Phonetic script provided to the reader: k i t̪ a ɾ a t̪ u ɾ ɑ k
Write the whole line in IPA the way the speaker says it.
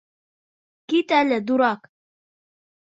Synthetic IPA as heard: k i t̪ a l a d̪ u ɾ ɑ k